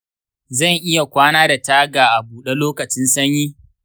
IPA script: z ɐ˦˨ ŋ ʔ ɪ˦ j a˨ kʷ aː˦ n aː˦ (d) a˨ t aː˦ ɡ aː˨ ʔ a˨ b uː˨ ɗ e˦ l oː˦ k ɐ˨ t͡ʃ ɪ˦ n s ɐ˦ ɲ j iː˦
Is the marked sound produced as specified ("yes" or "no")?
yes